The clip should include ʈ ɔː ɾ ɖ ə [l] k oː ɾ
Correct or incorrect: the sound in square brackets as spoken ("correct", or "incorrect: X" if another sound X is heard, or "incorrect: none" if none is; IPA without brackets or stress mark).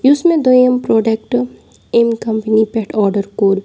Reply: incorrect: ɾ